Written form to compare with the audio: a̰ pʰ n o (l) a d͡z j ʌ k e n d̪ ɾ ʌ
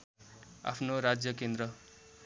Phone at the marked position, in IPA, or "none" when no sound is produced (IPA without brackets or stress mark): ɾ